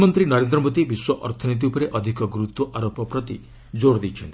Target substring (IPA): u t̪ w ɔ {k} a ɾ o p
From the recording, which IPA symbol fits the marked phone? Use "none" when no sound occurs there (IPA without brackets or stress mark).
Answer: ʔ